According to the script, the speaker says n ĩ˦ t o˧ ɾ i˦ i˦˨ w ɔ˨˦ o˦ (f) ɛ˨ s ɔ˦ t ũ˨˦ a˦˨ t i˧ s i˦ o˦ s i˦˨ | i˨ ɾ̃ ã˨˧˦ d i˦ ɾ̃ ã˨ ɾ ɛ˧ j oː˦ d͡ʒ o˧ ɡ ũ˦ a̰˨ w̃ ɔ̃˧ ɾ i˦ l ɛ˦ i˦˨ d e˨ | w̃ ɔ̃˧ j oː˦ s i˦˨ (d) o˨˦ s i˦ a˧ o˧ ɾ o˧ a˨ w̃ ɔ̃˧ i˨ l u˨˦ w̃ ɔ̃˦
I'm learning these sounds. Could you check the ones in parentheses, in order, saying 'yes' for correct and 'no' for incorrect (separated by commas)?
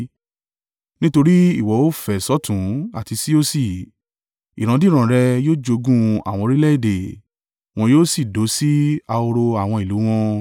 yes, yes